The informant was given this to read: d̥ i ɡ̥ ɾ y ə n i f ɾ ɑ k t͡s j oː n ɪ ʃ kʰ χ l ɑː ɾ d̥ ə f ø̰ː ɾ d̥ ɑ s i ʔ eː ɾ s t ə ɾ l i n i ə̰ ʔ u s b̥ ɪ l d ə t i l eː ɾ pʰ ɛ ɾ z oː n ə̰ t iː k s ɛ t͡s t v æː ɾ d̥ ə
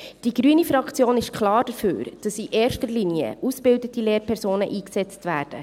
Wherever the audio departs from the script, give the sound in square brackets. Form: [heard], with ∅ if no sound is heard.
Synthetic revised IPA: d̥ i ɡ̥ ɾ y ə n i f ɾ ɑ k t͡s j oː n ɪ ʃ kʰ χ l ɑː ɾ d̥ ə f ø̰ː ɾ d̥ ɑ s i ʔ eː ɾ [ʃ] t ə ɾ l i n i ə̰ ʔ u s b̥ ɪ l d ə t i l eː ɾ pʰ ɛ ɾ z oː n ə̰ [ʔ] iː k s ɛ t͡s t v æː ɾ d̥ ə